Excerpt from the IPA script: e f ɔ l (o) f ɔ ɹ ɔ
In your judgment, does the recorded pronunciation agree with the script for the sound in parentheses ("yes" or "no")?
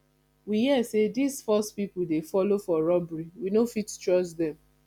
yes